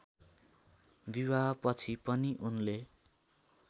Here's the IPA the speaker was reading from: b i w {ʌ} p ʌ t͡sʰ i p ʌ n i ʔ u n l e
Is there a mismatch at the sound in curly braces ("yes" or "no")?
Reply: yes